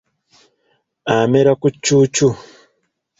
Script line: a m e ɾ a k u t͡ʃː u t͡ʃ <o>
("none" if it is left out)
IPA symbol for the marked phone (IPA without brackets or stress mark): u